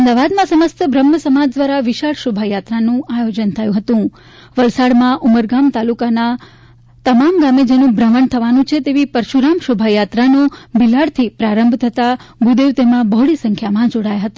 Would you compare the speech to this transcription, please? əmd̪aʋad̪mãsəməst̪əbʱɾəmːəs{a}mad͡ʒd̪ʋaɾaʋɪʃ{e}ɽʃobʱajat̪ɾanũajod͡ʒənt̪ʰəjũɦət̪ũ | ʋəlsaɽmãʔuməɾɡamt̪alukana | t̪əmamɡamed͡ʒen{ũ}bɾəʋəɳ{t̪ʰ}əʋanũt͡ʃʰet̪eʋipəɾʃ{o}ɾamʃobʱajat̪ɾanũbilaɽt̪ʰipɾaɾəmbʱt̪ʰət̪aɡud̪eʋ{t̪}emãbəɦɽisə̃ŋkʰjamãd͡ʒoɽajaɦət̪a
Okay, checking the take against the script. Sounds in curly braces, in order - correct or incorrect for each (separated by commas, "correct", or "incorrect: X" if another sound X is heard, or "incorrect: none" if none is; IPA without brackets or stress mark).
incorrect: ə, incorrect: a, correct, correct, incorrect: u, correct